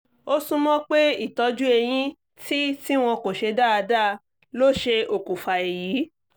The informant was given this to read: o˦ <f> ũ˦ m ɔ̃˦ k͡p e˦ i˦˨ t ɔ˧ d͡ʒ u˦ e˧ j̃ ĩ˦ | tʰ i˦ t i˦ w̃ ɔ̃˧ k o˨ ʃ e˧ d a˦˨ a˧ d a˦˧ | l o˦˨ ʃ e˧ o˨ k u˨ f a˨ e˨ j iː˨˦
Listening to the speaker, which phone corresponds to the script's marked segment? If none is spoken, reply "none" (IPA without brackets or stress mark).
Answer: s